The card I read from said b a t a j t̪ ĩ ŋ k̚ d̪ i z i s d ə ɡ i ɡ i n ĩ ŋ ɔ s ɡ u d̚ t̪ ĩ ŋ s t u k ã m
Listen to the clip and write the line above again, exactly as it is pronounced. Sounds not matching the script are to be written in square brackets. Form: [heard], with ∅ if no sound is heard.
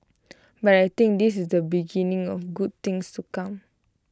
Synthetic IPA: b a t a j t̪ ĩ ŋ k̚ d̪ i [s] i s d ə [b] i ɡ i n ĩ ŋ ɔ [f] ɡ u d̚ t̪ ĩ ŋ s t u k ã m